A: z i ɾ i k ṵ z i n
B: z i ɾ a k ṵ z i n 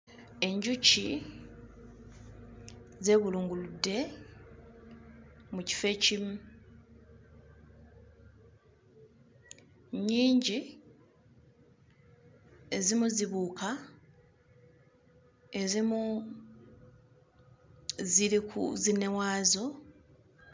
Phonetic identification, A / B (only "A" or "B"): A